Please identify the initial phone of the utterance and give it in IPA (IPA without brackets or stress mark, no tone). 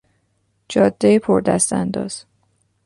d͡ʒ